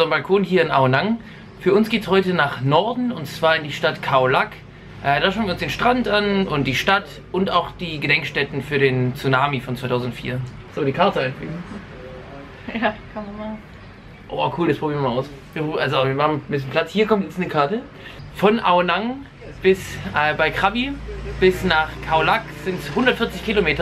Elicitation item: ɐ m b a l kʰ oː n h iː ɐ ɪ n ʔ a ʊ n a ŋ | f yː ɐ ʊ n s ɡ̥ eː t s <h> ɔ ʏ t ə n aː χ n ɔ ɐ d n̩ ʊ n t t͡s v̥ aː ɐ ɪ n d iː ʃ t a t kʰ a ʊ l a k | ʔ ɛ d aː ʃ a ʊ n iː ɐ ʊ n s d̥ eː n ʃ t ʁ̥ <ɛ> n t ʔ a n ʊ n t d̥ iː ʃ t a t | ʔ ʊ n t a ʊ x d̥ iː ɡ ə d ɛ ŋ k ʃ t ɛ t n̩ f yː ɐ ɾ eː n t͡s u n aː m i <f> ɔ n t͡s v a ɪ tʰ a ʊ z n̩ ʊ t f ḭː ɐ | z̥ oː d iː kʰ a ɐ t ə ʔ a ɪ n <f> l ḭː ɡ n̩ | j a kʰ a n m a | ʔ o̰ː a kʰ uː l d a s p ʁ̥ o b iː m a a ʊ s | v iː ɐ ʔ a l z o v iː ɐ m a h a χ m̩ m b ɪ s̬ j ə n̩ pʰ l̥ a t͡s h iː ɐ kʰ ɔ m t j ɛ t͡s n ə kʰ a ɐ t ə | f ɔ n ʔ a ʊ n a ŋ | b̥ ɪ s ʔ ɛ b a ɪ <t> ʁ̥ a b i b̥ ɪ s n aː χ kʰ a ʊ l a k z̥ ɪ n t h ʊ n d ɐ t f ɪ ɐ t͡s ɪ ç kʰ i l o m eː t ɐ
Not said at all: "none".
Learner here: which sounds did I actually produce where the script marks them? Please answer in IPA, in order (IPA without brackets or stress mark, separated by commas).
h, a, f, f, k